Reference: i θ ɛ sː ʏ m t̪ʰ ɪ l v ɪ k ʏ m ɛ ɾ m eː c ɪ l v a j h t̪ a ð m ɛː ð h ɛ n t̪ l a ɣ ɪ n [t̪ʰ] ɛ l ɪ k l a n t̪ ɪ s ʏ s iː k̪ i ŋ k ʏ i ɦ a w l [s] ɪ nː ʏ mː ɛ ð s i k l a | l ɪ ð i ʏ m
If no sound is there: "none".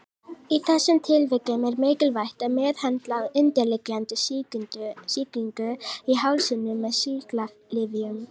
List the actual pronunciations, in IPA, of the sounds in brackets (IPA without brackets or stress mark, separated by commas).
t̪, s